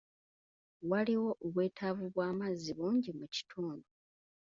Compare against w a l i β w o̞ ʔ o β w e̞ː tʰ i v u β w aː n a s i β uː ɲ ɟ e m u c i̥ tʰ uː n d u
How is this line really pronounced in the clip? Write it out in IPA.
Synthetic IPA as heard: w a l i w o̞ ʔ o β w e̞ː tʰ a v u β w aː m a z i β uː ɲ ɟ i m u c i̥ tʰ uː n d u